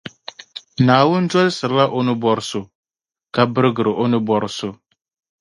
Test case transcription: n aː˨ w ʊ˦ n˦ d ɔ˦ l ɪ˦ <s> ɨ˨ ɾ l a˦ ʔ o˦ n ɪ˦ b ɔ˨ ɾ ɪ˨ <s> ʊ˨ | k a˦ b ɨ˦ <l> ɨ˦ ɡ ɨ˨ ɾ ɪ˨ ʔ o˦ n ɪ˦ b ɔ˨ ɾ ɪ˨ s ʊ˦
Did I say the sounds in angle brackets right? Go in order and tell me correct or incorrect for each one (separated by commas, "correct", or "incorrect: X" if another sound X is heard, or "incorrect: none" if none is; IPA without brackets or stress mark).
correct, correct, incorrect: ɾ